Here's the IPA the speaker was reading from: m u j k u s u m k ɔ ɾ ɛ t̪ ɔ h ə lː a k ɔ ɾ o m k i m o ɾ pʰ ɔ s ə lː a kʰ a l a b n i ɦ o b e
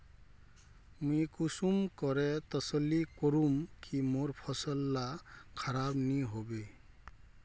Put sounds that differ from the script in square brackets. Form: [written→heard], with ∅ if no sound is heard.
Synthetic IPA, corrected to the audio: m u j k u s u m k ɔ ɾ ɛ t̪ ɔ [h→s] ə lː [a→i] k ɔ ɾ [o→u] m k i m o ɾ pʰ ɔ s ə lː a kʰ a [l→ɾ] a b n i ɦ o b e